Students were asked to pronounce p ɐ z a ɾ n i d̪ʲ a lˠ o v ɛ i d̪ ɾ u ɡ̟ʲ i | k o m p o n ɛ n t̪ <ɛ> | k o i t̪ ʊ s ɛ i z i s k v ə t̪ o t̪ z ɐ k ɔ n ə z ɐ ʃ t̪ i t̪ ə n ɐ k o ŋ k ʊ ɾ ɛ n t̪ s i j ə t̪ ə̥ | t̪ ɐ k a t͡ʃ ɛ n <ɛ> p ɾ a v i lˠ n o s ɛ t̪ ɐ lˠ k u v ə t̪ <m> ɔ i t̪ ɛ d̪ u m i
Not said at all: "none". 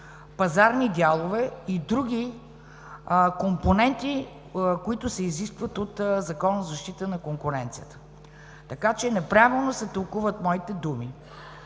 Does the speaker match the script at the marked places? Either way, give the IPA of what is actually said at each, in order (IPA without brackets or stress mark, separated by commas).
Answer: i, ɛ, m